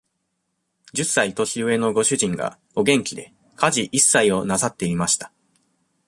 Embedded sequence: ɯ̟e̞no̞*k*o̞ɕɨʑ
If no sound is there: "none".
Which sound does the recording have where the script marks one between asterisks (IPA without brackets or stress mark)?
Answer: ɡ